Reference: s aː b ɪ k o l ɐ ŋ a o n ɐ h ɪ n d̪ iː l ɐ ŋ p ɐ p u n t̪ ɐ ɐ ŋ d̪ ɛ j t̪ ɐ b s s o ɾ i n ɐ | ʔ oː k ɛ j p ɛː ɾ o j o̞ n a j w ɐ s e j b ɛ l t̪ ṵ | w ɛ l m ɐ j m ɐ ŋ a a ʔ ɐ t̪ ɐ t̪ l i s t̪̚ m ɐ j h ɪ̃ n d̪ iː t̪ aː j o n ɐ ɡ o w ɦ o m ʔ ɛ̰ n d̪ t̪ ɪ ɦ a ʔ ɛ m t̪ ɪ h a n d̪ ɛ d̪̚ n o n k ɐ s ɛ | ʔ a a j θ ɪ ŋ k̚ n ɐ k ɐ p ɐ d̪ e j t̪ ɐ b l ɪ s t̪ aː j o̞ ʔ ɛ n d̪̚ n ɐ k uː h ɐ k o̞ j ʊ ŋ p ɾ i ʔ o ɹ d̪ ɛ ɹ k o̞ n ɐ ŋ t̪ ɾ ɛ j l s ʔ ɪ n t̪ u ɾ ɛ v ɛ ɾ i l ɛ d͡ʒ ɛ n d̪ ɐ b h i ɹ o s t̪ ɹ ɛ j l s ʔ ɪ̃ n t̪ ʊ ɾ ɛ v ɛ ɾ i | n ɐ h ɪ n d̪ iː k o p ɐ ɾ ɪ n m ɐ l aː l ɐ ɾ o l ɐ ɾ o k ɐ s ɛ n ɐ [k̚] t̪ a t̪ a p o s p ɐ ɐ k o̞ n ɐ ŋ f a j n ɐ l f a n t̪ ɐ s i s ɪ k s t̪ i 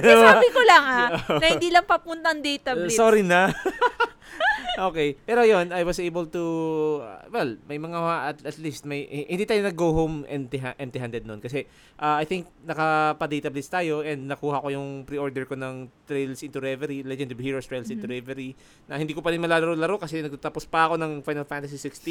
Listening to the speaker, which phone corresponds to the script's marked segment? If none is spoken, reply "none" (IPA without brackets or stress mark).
ɡ̚